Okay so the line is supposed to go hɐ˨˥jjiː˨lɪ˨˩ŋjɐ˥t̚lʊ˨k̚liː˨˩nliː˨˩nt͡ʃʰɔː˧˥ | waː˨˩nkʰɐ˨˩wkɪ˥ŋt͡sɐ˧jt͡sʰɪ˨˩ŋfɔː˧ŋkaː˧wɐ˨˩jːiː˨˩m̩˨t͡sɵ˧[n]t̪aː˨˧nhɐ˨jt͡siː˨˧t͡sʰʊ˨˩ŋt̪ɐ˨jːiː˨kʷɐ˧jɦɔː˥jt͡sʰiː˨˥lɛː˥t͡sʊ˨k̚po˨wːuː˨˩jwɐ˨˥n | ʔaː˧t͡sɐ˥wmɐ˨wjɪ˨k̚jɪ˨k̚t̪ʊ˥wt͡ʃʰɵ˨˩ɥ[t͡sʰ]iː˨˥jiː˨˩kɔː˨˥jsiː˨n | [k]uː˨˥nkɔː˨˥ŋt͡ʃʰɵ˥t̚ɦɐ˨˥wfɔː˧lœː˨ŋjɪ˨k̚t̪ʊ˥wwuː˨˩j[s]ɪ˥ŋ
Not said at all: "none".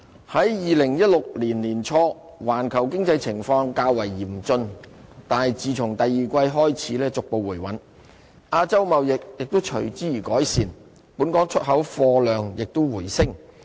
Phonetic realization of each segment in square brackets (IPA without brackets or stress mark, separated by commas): n, t͡s, p, s